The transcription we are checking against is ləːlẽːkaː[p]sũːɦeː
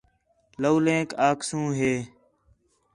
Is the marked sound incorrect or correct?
incorrect